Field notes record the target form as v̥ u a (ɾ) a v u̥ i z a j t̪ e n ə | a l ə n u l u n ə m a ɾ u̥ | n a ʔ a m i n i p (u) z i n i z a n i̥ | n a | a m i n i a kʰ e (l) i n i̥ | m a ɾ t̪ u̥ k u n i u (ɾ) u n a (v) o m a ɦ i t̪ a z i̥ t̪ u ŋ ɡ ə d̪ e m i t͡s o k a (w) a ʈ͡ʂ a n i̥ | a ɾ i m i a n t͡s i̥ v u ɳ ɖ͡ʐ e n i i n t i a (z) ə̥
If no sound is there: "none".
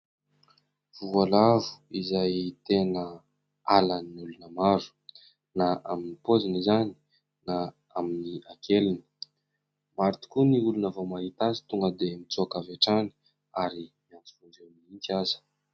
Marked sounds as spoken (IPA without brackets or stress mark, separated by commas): l, o, l, l, v, v, z